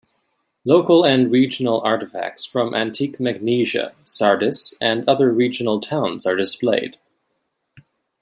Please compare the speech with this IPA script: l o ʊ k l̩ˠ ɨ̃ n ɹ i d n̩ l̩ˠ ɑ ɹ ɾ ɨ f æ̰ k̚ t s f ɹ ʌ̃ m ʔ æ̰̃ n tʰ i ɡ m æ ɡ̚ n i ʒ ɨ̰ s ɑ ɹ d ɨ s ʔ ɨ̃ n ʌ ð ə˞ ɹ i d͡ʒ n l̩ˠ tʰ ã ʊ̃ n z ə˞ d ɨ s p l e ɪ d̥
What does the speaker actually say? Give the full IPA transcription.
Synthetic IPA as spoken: l o ʊ k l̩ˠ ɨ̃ n ɹ i d͡ʒ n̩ l̩ˠ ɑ ɹ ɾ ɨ f æ̰ k̚ t s f ɹ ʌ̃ m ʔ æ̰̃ n tʰ i k m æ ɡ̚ n i ʒ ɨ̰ s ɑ ɹ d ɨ s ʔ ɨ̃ n ʌ ð ə˞ ɹ i d͡ʒ n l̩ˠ tʰ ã ʊ̃ n z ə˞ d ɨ s p l e ɪ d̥